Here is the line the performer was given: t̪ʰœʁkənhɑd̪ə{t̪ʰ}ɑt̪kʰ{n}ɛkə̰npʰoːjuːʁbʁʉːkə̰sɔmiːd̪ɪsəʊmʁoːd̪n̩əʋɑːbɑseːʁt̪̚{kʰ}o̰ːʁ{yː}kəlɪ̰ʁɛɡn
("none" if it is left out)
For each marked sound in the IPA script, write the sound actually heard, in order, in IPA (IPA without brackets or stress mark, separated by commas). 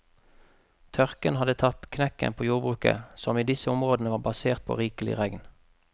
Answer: t̪ʰ, n, pʰ, iː